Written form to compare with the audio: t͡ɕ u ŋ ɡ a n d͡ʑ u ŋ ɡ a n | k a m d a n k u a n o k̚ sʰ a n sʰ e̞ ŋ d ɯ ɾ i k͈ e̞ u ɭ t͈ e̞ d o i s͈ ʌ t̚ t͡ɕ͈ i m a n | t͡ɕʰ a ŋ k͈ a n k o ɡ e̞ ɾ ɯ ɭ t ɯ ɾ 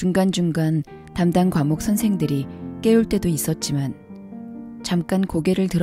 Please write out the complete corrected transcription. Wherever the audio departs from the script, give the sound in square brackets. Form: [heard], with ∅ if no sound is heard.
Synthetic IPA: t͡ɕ u ŋ ɡ a n d͡ʑ u ŋ ɡ a n | [t] a m d a n k [w] a [m] o k̚ sʰ [ʌ] n sʰ e̞ ŋ d ɯ ɾ i k͈ e̞ u ɭ t͈ e̞ d o i s͈ ʌ t̚ t͡ɕ͈ i m a n | [t͡ɕ] a [m] k͈ a n k o ɡ e̞ ɾ ɯ ɭ t ɯ ɾ